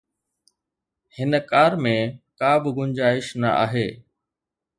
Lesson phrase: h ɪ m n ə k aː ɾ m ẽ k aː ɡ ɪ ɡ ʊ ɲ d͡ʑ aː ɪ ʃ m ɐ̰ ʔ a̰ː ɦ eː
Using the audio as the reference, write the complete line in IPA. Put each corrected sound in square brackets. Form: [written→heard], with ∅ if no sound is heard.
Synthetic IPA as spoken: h ɪ [m→∅] n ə k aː ɾ m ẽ k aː [ɡ→b] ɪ ɡ ʊ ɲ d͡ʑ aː ɪ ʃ [m→n] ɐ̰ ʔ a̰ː ɦ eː